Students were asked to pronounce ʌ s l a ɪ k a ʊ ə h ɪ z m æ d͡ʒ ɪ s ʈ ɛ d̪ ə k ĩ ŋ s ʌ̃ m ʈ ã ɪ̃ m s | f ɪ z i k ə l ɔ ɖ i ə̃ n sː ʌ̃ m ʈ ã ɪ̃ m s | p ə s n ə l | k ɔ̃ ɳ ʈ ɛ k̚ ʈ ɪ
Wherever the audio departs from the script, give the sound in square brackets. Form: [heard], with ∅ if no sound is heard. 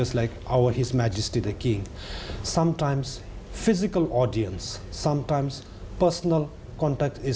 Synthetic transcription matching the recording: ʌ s l a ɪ k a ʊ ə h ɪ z m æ d͡ʒ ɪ s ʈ [i] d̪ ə k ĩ ŋ s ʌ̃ m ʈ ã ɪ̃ m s | f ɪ z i k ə l ɔ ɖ i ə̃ n sː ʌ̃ m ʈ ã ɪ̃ m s | p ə s n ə l | k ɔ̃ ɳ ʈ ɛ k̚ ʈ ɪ